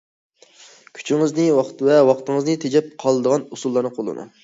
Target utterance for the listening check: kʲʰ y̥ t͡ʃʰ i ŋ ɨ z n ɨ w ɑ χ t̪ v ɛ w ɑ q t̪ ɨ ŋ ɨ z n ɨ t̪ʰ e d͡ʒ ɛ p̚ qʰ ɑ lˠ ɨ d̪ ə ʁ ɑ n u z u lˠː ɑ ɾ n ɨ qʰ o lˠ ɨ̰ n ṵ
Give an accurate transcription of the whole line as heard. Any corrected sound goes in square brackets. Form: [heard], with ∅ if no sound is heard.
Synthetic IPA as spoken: kʲʰ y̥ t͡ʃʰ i ŋ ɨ z n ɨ w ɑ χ t̪ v ɛ w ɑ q t̪ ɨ ŋ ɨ z n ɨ t̪ʰ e d͡ʒ ɛ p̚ qʰ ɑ lˠ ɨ d̪ ə ʁ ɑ n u [s] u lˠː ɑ ɾ n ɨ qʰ o lˠ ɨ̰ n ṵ